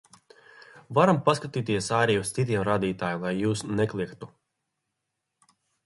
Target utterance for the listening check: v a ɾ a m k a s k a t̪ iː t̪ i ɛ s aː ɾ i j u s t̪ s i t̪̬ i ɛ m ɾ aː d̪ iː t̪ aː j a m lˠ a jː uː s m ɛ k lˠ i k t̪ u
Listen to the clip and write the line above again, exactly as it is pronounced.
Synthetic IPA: v a ɾ a m p a s k a t̪ iː t̪ i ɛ s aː ɾ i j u s t̪ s i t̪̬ i ɛ m ɾ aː d̪ iː t̪ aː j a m lˠ a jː uː s n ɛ k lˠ i k t̪ u